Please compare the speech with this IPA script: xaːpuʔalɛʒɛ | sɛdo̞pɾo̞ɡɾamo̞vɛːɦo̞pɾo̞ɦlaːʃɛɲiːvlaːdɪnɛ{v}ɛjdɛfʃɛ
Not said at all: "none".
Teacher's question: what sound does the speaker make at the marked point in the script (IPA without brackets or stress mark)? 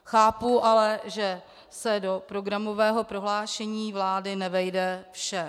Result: v